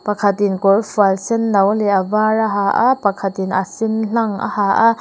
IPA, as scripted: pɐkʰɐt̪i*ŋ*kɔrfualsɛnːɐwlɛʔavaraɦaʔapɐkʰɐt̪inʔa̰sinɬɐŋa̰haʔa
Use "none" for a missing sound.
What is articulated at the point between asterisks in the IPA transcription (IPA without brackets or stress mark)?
n